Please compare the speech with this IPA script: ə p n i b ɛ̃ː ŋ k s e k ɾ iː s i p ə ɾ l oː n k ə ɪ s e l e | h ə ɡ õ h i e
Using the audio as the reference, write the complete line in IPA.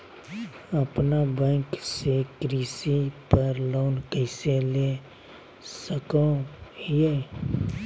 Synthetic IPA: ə p n a b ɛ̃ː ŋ k s e k ɾ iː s i p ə ɾ l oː n k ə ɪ s e l e | s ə k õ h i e